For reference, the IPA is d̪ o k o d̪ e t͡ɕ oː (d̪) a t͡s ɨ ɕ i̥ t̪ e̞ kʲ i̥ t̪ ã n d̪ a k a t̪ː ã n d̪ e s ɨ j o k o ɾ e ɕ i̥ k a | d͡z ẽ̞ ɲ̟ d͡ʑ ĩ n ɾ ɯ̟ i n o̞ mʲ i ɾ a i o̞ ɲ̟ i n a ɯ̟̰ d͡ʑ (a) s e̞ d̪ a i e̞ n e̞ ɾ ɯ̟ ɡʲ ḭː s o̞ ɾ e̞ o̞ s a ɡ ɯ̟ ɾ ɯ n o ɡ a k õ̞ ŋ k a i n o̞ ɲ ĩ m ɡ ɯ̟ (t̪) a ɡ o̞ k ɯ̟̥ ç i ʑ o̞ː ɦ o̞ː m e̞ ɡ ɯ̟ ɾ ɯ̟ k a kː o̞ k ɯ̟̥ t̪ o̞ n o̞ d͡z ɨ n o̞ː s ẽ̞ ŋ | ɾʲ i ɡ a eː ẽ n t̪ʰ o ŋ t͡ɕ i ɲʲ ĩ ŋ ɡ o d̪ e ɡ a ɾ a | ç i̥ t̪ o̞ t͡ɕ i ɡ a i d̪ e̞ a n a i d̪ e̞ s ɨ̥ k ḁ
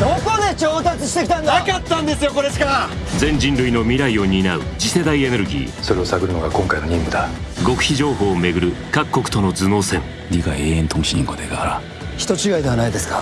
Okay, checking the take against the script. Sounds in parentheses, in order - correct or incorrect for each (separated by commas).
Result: incorrect, incorrect, incorrect